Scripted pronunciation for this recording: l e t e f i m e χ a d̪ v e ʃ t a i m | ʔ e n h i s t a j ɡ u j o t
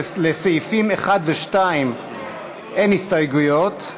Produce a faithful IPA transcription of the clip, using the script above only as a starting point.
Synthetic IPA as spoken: l e s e f i m e χ a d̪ v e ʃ t a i m | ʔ e n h i s t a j ɡ u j o t